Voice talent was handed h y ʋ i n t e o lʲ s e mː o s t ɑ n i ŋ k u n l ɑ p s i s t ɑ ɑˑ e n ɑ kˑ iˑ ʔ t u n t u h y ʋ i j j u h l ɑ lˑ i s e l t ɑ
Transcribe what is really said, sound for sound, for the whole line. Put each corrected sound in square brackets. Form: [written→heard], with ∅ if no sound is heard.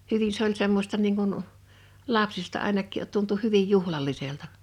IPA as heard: h y ʋ i n [t→s] e o lʲ s e mː o s t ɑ n [i→iː] ŋ k u n l ɑ p s i s t ɑ ɑˑ e n ɑ kˑ iˑ ʔ t u n t u h y ʋ i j j u h l ɑ lˑ i s e l t ɑ